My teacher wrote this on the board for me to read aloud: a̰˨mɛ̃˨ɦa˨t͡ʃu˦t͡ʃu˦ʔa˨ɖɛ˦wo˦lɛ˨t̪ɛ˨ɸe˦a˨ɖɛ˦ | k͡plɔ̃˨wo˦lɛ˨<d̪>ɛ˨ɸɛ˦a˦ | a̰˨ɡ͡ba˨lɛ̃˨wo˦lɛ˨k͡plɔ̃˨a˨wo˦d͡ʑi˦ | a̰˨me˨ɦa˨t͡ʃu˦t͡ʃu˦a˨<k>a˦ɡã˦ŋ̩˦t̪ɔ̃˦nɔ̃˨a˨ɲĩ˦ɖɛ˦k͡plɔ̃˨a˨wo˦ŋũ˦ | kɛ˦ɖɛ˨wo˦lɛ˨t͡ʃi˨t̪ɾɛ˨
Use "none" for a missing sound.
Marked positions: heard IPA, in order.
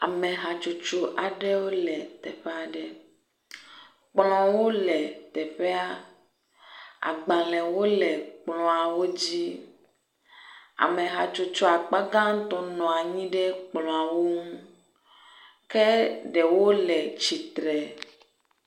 t̪, k͡p

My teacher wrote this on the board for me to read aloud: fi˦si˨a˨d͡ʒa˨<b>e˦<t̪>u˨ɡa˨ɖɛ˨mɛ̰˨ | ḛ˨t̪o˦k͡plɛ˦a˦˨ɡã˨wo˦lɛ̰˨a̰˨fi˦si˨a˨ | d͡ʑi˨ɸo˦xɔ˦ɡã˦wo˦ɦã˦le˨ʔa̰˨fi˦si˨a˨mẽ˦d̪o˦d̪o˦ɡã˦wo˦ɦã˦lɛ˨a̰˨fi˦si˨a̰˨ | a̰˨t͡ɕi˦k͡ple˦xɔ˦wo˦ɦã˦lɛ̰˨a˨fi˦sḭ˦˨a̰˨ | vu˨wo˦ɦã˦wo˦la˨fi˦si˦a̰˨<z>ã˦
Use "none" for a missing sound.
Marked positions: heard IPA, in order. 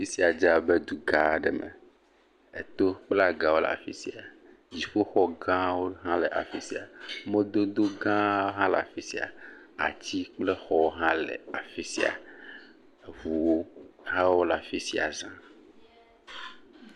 b, d̪, z

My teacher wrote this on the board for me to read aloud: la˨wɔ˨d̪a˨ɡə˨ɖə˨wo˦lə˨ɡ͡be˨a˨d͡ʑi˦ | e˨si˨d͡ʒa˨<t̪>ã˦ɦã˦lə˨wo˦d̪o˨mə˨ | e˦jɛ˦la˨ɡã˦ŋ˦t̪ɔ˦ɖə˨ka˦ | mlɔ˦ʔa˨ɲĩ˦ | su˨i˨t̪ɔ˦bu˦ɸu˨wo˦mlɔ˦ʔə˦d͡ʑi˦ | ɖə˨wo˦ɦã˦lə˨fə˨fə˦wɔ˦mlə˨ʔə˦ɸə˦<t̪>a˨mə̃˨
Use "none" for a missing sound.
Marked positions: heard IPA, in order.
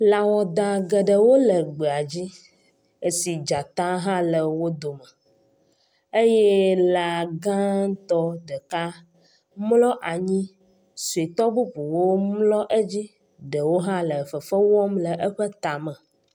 t̪, t̪

